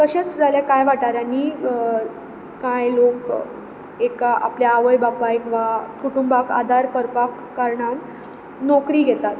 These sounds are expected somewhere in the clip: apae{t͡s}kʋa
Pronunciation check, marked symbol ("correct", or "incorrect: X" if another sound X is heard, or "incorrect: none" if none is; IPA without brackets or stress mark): incorrect: none